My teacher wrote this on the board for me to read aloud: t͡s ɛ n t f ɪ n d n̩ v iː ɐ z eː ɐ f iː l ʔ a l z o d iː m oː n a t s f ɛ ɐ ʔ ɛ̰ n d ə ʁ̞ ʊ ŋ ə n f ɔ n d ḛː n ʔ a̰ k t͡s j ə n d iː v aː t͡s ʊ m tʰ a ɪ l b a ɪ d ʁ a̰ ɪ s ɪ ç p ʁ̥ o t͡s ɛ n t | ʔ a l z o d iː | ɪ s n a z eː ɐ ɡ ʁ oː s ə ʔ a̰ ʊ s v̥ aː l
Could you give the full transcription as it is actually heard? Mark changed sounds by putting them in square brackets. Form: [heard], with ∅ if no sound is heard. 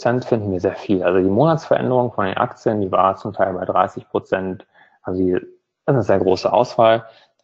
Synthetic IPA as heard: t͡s ɛ n t f ɪ n d n̩ v iː ɐ z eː ɐ f iː l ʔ a l z o d iː m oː n a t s f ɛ ɐ ʔ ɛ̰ n d ə ʁ̞ ʊ ŋ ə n f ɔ n d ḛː n ʔ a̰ k t͡s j ə n d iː v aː t͡s ʊ m tʰ a ɪ l b a ɪ d ʁ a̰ ɪ s ɪ ç p ʁ̥ o t͡s ɛ n t | ʔ a l z o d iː | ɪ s n [ə] z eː ɐ ɡ ʁ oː s ə ʔ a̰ ʊ s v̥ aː l